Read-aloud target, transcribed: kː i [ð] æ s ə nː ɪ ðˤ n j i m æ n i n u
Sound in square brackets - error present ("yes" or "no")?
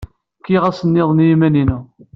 yes